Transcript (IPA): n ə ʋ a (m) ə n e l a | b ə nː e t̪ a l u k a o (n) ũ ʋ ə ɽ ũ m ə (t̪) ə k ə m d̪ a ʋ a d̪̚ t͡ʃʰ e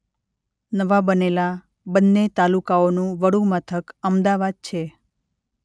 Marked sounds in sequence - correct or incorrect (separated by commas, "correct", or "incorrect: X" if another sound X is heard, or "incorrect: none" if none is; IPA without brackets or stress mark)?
incorrect: b, correct, incorrect: t̪ʰ